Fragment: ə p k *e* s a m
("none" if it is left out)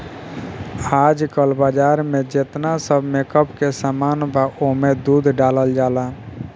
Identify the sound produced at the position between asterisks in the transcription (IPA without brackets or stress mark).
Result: e